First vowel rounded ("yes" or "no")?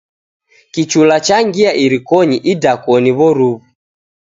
no